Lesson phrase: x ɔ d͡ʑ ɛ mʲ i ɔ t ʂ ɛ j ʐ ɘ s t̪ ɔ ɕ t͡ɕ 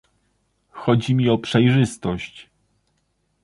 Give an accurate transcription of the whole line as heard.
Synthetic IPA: x ɔ d͡ʑ i mʲ i ɔ p ʂ ɛ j ʐ ɘ s t̪ ɔ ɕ t͡ɕ